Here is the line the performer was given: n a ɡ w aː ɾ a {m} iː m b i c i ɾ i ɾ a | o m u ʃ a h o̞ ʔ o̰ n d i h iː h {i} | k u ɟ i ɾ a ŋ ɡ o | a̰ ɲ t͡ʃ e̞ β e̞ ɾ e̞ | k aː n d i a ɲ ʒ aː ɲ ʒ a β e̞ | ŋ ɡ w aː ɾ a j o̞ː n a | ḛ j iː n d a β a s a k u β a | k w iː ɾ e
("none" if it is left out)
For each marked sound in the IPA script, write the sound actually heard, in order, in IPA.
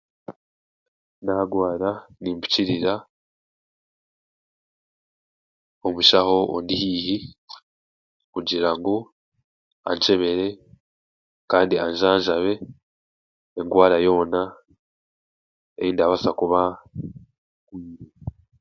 n, i

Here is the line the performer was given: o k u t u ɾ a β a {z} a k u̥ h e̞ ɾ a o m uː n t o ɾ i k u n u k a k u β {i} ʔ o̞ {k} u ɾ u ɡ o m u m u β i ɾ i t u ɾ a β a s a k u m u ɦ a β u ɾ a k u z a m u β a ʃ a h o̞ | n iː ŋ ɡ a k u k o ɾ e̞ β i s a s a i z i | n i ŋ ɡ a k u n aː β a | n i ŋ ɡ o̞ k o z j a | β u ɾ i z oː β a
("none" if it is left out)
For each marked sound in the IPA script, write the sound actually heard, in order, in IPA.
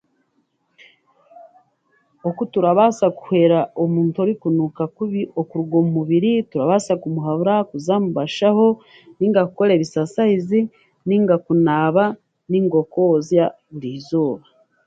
s, i, k

